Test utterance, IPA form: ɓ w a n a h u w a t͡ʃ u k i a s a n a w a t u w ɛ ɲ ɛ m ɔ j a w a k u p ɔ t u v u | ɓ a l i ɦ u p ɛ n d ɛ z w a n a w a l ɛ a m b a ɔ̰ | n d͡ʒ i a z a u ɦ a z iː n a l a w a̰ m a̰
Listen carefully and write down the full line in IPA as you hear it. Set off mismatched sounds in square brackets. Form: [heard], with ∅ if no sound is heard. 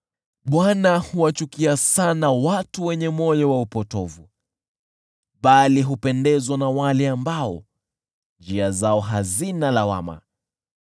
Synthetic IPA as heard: ɓ w a n a h u w a t͡ʃ u k i a s a n a w a t u w ɛ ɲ ɛ m ɔ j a w a [∅] u p ɔ t [ɔ] v u | ɓ a l i ɦ u p ɛ n d ɛ z w a n a w a l ɛ a m b a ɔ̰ | n d͡ʒ i a z a [ɔ] ɦ a z [i] n a l a w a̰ m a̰